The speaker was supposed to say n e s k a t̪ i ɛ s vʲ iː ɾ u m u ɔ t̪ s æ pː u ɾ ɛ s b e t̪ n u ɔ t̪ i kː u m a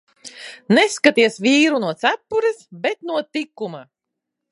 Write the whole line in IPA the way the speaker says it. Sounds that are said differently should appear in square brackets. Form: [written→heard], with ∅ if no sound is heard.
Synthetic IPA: n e s k a t̪ i ɛ s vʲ iː ɾ u [m→n] u ɔ t̪ s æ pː u ɾ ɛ s b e t̪ n u ɔ t̪ i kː u m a